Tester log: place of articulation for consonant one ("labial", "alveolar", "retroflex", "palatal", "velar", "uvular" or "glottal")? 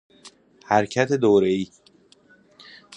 glottal